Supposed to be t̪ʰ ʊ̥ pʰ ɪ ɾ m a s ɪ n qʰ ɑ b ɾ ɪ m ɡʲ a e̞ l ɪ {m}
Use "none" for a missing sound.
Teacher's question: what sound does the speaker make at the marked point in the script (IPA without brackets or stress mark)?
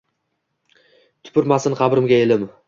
m